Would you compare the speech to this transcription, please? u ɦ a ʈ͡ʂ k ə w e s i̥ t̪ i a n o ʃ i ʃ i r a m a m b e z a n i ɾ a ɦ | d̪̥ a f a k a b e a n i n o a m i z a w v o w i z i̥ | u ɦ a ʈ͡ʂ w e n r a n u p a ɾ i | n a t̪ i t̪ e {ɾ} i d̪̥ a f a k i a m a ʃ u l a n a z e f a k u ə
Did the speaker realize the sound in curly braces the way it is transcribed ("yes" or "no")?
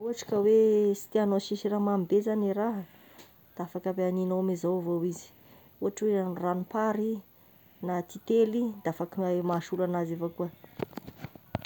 no